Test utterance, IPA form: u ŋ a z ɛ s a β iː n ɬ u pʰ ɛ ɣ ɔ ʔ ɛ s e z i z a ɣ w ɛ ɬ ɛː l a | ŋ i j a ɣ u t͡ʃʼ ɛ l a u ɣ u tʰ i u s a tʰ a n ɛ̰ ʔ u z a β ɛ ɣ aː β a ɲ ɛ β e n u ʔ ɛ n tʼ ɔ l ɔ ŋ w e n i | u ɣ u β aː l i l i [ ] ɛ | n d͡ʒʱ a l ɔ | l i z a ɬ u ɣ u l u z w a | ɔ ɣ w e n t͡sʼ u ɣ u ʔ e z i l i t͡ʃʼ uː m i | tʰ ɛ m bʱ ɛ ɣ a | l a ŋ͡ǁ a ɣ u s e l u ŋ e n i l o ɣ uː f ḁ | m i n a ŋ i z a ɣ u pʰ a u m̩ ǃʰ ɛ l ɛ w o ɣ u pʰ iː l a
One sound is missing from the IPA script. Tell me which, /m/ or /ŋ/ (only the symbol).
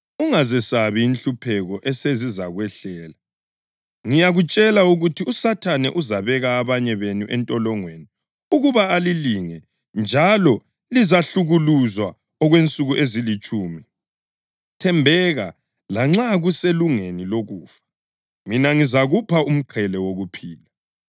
ŋ